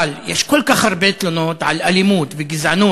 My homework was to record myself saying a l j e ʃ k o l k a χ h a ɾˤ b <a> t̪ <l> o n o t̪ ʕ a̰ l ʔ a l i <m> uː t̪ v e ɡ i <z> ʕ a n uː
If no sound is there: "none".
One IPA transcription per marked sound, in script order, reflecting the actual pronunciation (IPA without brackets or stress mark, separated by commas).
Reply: e, l, m, z